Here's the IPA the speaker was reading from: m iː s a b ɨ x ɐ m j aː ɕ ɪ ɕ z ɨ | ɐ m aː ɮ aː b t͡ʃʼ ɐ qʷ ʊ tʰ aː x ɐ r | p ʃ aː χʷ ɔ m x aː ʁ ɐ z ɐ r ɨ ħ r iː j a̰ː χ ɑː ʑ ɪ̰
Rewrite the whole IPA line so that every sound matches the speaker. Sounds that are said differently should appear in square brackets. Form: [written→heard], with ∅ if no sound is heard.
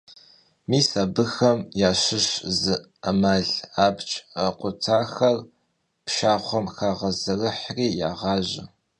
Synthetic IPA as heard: m iː s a b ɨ x ɐ m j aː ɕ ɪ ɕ z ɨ | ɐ m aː ɮ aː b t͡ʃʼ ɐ qʷ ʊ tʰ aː x ɐ r | p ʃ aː χʷ ɔ m x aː ʁ ɐ z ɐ r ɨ ħ r iː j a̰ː [χ→ʁ] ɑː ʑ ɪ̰